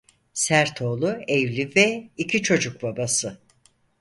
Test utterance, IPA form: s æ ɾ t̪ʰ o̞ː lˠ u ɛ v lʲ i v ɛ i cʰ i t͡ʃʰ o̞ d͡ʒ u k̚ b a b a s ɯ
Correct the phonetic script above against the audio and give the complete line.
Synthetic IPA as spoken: s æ ɾ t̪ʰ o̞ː lˠ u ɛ v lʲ i v ɛ i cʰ i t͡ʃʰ o̞ d͡ʒ u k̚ b a b a s ɯ